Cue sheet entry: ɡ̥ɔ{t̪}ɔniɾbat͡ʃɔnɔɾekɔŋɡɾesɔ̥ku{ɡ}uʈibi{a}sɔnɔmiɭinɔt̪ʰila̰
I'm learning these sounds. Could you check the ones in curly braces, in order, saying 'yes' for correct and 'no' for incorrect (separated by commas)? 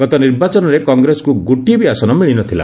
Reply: yes, yes, yes